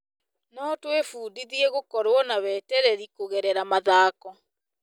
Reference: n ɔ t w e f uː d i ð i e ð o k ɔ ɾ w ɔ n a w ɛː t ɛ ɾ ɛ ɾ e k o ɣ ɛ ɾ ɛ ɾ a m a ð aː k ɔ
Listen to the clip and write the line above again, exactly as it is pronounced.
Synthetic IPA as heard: n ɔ t w e f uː d i ð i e ɣ o k ɔ ɾ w ɔ n a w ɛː t ɛ ɾ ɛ ɾ i k o ɣ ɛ ɾ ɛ ɾ a m a ð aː k ɔ